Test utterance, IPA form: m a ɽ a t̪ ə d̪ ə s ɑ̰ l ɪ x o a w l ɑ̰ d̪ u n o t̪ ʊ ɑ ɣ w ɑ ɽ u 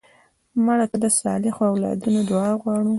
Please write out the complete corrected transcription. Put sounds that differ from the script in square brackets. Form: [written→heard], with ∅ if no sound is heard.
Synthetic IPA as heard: m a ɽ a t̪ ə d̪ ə s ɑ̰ l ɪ x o a w l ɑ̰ d̪ u n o [t̪→d̪] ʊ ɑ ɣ w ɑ ɽ u